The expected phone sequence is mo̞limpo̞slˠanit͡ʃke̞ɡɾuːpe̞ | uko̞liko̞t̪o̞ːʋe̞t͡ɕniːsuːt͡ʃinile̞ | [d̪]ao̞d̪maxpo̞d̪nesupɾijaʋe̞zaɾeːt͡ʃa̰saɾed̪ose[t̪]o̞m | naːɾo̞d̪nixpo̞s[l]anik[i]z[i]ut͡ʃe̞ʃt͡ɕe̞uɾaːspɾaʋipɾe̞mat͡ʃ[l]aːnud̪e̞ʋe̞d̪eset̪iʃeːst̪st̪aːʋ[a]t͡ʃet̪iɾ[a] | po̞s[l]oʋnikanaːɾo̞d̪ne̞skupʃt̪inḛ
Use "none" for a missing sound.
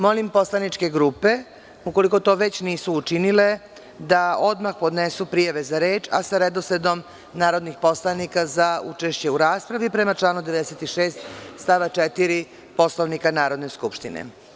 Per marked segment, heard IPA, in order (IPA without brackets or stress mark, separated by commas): d̪, d̪, l, a, a, l, a, i, l